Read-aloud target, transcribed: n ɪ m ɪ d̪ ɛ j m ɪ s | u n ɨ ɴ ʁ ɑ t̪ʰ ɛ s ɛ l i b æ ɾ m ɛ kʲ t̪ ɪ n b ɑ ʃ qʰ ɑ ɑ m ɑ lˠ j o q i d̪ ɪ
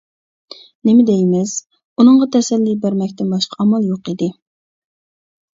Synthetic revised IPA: n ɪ m ɪ d̪ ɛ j m ɪ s | u n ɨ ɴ ʁ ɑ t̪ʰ ɛ s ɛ lː i b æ ɾ m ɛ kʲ t̪ ɪ n b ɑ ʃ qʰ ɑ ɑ m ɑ lˠ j o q i d̪ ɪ